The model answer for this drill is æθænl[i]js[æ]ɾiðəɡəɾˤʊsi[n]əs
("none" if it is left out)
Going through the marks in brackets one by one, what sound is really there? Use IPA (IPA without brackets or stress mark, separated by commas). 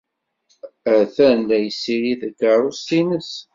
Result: æ, i, n